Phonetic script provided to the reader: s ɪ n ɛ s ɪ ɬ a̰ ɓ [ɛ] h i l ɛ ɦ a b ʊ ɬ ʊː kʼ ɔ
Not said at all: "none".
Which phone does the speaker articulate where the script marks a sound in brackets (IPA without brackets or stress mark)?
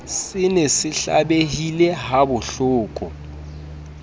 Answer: e